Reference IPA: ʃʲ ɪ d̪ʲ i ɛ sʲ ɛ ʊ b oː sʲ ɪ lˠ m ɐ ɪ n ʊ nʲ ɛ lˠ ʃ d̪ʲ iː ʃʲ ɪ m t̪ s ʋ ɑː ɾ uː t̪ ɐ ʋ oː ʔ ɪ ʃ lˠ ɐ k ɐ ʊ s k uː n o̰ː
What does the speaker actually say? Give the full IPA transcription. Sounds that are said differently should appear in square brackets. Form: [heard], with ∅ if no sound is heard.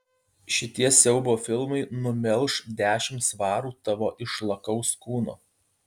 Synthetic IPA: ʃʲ ɪ [t̪ʲ] i ɛ sʲ ɛ ʊ b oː [fʲ] ɪ lˠ m ɐ ɪ n ʊ [mʲ] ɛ lˠ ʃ d̪ʲ [æː] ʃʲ ɪ m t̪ s ʋ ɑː ɾ uː t̪ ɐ ʋ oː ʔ ɪ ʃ lˠ ɐ k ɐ ʊ s k uː n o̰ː

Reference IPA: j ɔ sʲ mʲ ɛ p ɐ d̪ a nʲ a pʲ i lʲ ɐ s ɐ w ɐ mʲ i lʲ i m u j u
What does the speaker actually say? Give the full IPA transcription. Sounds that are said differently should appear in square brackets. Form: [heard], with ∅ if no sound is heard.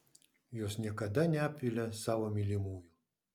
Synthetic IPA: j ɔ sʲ [nʲ] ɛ [k] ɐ d̪ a nʲ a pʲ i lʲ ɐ s [a] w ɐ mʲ i lʲ i m u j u

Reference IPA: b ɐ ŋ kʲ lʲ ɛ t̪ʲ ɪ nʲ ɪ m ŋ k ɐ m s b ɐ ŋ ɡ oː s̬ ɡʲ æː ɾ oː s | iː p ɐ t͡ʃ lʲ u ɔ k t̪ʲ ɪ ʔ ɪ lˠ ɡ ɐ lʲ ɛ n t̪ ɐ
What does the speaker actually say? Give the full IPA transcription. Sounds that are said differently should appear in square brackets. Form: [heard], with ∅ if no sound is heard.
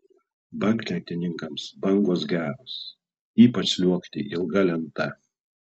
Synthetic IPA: b ɐ ŋ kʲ lʲ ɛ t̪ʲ ɪ nʲ ɪ [∅] ŋ k ɐ m s b ɐ ŋ ɡ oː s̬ ɡʲ æː ɾ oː s | iː p ɐ t͡ʃ lʲ u ɔ k t̪ʲ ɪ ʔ ɪ lˠ ɡ ɐ lʲ ɛ n t̪ ɐ

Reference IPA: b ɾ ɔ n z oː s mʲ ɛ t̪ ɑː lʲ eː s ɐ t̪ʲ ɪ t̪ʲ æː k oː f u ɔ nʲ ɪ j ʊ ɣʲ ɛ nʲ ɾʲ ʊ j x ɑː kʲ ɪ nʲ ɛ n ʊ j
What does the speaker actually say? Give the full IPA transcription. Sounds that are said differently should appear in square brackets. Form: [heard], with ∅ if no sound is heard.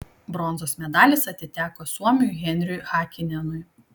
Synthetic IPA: b ɾ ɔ n z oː s mʲ ɛ [d̪] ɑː lʲ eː s ɐ t̪ʲ ɪ t̪ʲ æː k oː [s] u ɔ [mʲ] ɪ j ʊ ɣʲ ɛ nʲ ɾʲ ʊ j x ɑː kʲ ɪ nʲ ɛ n ʊ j

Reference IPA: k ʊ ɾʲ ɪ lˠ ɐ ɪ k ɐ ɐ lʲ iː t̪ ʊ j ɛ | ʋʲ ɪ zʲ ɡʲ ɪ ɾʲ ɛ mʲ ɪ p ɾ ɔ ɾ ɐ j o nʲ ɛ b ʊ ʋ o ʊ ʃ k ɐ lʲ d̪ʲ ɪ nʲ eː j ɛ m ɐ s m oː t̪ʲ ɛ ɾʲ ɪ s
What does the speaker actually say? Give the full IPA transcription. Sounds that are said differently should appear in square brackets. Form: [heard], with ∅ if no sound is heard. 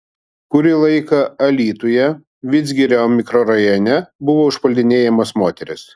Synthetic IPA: k ʊ ɾʲ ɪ lˠ ɐ ɪ k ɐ ɐ lʲ iː t̪ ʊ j ɛ | ʋʲ ɪ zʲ ɡʲ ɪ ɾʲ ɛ mʲ ɪ [k] ɾ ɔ ɾ ɐ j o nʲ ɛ b ʊ ʋ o ʊ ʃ [p] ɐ lʲ d̪ʲ ɪ nʲ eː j ɛ m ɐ s m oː t̪ʲ ɛ ɾʲ ɪ s

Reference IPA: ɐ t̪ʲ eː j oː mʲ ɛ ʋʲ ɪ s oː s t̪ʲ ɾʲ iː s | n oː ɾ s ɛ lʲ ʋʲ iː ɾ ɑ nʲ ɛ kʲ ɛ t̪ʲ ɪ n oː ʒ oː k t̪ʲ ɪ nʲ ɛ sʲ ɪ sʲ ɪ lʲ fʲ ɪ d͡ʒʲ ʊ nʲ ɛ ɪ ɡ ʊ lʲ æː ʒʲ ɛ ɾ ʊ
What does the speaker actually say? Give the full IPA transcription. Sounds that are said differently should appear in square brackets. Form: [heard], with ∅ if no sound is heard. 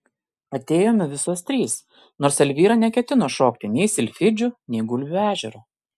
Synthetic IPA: ɐ t̪ʲ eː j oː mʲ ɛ ʋʲ ɪ s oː s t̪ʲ ɾʲ iː s | n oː ɾ s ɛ lʲ ʋʲ iː ɾ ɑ nʲ ɛ kʲ ɛ t̪ʲ ɪ n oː [ʃ] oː k t̪ʲ ɪ nʲ ɛ [∅] ɪ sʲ ɪ lʲ fʲ ɪ d͡ʒʲ ʊ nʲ ɛ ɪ ɡ ʊ lʲ æː ʒʲ ɛ ɾ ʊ

